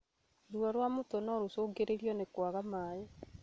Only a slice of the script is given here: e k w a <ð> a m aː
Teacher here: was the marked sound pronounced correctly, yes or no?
no